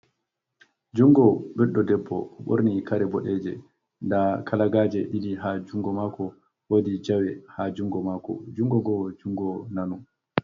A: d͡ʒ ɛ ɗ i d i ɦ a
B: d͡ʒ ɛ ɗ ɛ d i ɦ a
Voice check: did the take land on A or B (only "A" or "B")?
A